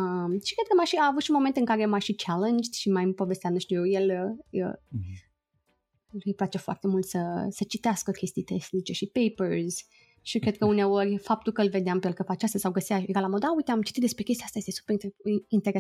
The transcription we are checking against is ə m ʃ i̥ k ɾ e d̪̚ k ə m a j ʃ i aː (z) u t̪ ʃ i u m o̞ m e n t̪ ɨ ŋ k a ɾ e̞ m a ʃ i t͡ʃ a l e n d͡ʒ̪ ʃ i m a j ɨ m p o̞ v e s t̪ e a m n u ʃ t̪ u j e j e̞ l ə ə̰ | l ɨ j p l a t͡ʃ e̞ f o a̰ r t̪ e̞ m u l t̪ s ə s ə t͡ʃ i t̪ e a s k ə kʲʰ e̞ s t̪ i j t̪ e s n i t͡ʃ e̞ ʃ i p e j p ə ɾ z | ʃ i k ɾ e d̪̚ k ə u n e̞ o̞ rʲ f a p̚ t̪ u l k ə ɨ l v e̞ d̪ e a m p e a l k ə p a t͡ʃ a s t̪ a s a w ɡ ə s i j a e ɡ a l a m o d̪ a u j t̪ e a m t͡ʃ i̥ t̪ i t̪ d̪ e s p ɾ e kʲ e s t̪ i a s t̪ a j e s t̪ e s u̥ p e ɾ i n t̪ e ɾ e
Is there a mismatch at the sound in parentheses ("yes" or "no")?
yes